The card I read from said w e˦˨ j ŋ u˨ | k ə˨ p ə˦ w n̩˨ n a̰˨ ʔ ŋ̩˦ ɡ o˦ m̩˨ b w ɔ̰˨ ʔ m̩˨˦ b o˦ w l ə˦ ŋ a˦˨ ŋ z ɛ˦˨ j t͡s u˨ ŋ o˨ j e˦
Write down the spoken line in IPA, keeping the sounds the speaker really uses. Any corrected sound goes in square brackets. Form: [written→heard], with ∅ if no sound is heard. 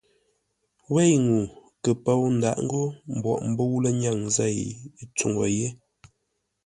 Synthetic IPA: w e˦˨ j ŋ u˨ | k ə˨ p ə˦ w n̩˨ [n→d] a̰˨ ʔ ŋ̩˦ ɡ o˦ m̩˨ b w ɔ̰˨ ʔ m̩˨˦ b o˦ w l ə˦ [ŋ→ɲ] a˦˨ ŋ z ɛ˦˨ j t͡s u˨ ŋ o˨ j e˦